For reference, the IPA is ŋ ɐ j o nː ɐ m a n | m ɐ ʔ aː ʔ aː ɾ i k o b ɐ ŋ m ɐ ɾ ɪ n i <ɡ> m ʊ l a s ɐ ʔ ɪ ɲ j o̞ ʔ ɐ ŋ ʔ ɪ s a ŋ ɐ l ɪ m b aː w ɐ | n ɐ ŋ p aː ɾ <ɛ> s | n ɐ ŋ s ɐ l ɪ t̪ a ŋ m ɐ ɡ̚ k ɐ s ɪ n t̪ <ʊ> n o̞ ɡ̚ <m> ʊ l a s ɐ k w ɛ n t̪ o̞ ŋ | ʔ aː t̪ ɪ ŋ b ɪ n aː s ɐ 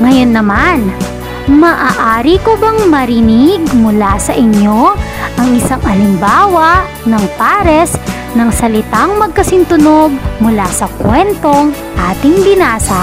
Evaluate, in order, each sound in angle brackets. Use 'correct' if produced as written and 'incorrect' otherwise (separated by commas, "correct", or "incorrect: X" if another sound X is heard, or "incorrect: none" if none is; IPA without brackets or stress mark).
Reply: correct, correct, correct, correct